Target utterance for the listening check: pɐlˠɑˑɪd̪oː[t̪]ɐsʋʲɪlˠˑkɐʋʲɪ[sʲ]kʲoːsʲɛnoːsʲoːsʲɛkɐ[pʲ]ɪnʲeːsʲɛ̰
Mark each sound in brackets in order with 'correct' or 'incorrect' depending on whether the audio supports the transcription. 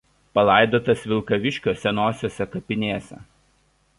correct, incorrect: ʃʲ, correct

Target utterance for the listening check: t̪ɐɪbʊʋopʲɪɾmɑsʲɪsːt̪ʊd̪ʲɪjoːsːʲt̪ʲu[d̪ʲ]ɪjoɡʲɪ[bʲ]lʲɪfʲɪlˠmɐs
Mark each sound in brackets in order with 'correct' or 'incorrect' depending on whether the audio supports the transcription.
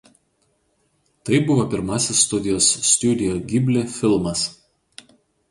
correct, correct

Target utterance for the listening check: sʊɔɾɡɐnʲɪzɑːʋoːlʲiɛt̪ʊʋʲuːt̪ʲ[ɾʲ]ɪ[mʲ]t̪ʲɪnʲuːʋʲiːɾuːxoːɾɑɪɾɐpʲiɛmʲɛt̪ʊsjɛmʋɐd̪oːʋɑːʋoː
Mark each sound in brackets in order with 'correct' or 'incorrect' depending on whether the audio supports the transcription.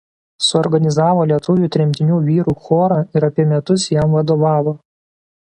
correct, correct

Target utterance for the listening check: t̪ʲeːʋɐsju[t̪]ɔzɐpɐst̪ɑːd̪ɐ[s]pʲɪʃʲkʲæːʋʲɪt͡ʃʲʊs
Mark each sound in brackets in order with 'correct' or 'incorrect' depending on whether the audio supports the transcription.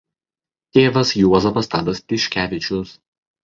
incorrect: none, correct

